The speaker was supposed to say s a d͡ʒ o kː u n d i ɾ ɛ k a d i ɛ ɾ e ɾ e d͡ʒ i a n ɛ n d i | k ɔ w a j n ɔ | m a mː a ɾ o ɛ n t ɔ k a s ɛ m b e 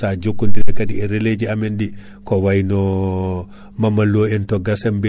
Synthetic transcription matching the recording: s a d͡ʒ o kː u n d i ɾ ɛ k a d i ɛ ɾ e l e d͡ʒ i a m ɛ n d i | k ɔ w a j n ɔ | m a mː a l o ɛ n t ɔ ɡ a s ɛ m b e